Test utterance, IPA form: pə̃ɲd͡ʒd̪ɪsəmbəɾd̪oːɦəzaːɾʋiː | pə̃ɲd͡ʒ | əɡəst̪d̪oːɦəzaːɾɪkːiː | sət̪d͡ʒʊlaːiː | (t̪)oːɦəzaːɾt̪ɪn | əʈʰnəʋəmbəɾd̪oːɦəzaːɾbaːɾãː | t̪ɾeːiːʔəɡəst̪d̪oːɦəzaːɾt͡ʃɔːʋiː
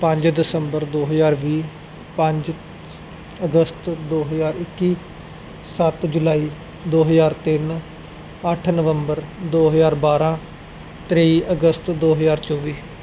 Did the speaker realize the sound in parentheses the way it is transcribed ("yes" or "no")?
no